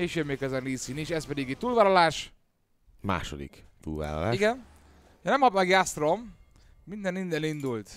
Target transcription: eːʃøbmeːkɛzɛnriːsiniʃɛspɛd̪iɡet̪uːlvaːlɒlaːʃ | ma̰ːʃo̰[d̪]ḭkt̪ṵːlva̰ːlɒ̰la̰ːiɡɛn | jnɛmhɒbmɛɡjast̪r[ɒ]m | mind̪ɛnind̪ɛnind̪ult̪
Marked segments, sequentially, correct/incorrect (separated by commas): correct, incorrect